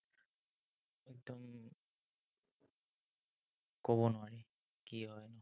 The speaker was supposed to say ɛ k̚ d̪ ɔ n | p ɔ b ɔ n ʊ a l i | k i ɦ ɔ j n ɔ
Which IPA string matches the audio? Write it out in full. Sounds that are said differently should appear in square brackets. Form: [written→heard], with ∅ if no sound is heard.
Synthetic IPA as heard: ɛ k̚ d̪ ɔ [n→m] | [p→k] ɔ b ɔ n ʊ a [l→ɹ] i | k i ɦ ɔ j n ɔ